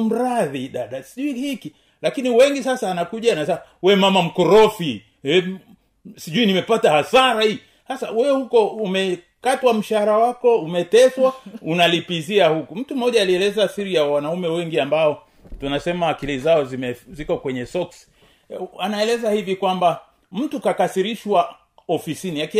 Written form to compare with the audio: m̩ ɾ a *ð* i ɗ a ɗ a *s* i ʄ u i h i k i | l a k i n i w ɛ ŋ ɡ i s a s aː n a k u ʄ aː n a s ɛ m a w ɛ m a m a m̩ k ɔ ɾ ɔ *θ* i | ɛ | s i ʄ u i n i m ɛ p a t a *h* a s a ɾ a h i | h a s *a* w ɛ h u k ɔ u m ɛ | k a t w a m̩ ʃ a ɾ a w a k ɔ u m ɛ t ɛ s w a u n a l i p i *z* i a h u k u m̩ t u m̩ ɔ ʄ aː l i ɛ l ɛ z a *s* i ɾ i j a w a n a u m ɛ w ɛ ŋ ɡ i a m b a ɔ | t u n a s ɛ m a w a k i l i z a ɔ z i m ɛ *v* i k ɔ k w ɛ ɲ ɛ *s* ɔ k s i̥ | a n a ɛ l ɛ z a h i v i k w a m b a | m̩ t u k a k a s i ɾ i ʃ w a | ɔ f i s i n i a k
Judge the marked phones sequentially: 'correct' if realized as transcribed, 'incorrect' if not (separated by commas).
correct, correct, incorrect, correct, correct, correct, correct, incorrect, correct